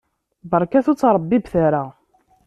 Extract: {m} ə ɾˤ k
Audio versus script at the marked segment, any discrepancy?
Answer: yes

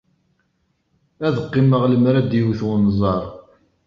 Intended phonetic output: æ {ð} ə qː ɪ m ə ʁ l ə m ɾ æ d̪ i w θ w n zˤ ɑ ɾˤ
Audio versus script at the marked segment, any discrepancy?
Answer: no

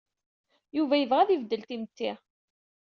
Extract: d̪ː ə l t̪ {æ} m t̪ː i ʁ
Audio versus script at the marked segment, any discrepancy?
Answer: yes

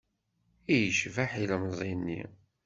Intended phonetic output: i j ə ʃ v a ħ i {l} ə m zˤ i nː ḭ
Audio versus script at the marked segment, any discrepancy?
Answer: no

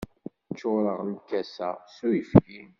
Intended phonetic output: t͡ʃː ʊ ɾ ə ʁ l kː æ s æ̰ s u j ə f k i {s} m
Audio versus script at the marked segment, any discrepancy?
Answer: yes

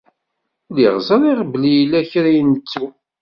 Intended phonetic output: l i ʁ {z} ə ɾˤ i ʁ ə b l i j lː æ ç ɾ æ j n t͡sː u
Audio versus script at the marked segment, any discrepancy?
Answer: no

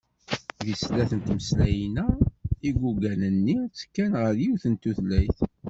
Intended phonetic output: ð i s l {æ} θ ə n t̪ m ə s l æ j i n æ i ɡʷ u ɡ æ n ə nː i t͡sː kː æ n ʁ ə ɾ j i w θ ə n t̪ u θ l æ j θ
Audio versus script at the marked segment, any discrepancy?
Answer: no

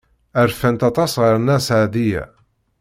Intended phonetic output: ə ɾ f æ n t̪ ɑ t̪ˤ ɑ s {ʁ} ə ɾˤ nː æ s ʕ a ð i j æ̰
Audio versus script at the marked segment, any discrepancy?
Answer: no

